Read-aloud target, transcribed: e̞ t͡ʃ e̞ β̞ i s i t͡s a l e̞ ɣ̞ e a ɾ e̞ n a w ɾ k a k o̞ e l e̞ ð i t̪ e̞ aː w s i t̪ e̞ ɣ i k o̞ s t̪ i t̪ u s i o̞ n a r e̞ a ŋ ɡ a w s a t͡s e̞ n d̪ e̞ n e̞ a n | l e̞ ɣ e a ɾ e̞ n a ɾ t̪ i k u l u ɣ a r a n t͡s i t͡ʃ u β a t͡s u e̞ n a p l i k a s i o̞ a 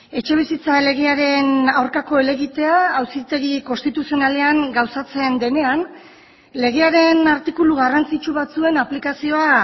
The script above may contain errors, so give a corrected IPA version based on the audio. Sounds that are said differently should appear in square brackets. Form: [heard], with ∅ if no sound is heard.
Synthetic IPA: e̞ t͡ʃ e̞ β̞ i s i t͡s a l e̞ ɣ̞ e a ɾ e̞ n a w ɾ k a k o̞ e l e̞ [ɣ] i t̪ e̞ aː w s i t̪ e̞ ɣ i k o̞ s t̪ i t̪ u s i o̞ n a [l] e̞ a ŋ ɡ a w s a t͡s e̞ n d̪ e̞ n e̞ a n | l e̞ ɣ e a ɾ e̞ n a ɾ t̪ i k u l u ɣ a r a n t͡s i t͡ʃ u β a t͡s u e̞ n a p l i k a s i o̞ a